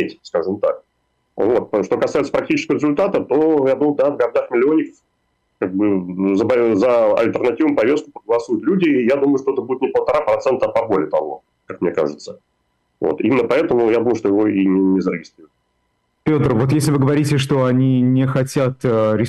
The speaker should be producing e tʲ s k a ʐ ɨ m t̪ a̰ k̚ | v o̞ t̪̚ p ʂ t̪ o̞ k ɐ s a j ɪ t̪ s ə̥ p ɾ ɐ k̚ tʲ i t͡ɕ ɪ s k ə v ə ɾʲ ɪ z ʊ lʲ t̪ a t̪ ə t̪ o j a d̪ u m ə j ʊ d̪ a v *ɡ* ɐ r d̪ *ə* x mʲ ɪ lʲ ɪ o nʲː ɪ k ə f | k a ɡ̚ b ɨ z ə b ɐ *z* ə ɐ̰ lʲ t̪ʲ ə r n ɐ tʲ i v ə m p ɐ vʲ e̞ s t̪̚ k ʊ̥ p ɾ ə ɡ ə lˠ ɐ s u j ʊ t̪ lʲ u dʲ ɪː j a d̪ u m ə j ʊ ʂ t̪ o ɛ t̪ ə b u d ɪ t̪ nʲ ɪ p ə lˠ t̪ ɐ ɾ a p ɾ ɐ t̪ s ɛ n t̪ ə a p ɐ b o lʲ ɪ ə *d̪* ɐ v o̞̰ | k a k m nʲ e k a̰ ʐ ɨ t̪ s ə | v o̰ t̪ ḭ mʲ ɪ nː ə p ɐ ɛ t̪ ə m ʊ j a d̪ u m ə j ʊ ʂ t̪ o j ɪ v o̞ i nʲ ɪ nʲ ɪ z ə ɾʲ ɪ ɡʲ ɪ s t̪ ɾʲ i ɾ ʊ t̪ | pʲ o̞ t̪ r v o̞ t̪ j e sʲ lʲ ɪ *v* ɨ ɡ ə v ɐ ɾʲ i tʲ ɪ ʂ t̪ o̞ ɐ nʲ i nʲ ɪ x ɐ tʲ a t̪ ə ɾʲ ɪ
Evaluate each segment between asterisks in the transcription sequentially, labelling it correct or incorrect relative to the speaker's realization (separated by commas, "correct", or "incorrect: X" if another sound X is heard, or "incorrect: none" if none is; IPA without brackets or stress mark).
correct, incorrect: a, correct, incorrect: t̪, correct